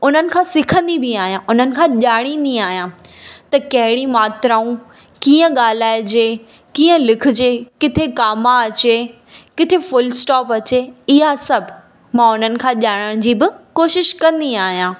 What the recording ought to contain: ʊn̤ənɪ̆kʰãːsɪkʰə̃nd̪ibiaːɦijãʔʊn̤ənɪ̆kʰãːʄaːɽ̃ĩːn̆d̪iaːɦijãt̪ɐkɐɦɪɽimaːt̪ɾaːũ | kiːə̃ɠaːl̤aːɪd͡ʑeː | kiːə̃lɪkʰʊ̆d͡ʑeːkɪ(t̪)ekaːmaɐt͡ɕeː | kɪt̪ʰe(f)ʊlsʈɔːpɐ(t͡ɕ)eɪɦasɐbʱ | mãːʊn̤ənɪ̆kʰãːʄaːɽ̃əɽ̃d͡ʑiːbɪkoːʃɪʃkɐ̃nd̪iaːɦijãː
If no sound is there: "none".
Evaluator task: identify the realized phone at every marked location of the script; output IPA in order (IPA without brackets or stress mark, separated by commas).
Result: t̪ʰ, f, t͡ɕ